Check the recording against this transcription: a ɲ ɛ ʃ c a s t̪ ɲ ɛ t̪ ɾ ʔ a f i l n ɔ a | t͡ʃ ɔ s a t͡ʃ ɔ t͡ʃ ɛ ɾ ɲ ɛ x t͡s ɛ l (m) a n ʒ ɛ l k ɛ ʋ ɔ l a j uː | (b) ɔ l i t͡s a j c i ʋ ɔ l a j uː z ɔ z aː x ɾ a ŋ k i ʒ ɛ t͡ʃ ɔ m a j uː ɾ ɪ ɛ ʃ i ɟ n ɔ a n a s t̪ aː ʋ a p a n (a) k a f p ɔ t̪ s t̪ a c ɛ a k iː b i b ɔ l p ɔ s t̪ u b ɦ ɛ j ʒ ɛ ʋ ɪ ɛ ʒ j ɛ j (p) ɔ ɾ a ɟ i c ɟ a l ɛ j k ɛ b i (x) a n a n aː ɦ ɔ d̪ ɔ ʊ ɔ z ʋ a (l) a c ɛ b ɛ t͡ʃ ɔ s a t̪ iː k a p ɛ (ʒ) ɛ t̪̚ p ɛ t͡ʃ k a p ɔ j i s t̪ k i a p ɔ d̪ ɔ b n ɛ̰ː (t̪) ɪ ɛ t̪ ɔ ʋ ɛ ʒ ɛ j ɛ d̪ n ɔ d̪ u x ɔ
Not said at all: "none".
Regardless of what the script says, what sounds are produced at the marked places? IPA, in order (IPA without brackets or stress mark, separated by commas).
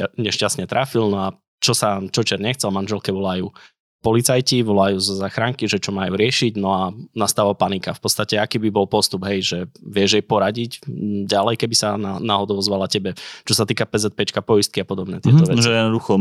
m, p, i, p, s, l, z, t̪